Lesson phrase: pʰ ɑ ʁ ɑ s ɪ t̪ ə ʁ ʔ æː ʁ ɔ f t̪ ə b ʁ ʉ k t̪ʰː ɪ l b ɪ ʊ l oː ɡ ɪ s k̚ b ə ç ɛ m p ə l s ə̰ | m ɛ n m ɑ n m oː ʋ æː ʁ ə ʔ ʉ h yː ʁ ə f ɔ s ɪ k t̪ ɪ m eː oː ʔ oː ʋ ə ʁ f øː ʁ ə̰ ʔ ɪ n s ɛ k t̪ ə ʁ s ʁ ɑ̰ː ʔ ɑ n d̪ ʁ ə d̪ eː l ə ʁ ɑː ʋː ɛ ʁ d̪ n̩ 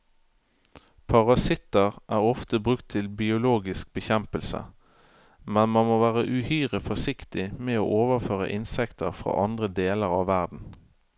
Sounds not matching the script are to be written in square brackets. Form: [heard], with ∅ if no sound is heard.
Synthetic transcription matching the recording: pʰ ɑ ʁ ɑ s ɪ t̪ ə ʁ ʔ æː ʁ ɔ f t̪ ə b ʁ ʉ k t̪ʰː ɪ l b ɪ ʊ l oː ɡ ɪ s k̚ b ə ç ɛ m p ə l s ə̰ | m ɛ n m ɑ n m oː ʋ æː ʁ ə ʔ ʉ h yː ʁ ə f ɔ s ɪ k t̪ ɪ m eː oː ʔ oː ʋ ə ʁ f øː ʁ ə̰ ʔ ɪ n s ɛ k t̪ ə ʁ [f] ʁ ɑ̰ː ʔ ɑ n d̪ ʁ ə d̪ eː l ə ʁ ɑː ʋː [æ] ʁ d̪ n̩